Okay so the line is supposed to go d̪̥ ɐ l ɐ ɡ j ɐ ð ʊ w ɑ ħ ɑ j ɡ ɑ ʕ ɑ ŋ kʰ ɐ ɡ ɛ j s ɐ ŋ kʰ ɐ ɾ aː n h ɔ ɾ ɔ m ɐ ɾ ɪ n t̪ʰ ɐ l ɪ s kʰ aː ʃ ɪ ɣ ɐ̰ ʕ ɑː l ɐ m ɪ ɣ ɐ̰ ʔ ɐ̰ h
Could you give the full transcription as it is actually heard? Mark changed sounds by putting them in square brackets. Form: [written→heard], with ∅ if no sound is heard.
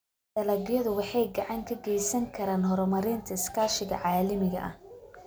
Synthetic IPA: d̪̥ ɐ l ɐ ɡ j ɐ ð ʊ w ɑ ħ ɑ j ɡ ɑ ʕ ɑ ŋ kʰ ɐ ɡ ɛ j s ɐ ŋ kʰ ɐ ɾ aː n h ɔ ɾ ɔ m ɐ ɾ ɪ n t̪ʰ ɐ [l→∅] ɪ s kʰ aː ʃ ɪ ɣ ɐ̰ ʕ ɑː l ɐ m ɪ ɣ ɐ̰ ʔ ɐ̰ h